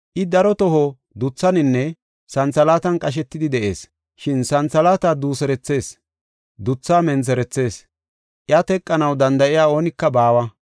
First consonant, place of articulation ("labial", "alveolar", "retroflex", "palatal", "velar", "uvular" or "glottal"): glottal